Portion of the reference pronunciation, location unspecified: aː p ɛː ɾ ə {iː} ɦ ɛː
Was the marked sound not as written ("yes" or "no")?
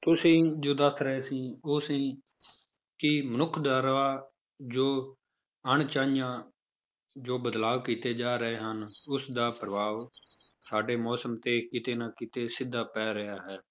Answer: yes